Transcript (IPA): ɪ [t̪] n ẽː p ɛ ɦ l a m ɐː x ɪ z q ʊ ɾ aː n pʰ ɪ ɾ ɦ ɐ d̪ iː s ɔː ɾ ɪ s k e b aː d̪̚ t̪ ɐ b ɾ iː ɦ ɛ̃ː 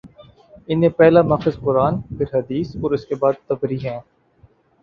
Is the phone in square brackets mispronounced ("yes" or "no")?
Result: yes